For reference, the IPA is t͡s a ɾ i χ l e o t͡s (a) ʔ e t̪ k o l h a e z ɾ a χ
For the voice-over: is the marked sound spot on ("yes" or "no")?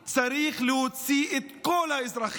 no